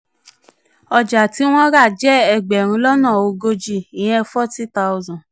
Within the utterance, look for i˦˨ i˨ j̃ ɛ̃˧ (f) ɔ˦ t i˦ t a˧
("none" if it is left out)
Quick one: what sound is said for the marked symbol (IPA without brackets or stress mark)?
f